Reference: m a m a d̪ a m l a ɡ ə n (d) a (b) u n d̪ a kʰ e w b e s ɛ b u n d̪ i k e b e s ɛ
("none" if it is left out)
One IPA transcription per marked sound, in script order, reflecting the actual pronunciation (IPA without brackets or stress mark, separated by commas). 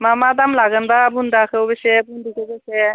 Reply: b, b